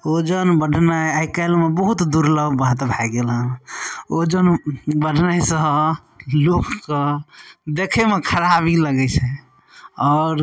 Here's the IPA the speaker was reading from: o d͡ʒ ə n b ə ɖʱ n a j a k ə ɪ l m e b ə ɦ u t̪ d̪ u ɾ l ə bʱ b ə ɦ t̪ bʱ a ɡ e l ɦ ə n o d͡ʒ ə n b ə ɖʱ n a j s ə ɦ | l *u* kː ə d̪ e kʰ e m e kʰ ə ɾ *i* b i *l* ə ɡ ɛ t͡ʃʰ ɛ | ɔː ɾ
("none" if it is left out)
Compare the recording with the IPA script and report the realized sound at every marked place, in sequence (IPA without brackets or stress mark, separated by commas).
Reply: o, a, l